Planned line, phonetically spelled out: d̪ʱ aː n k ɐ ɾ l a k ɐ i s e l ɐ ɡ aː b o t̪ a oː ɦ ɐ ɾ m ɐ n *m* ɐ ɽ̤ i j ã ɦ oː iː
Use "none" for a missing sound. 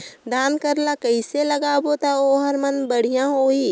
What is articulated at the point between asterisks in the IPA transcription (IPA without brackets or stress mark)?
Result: b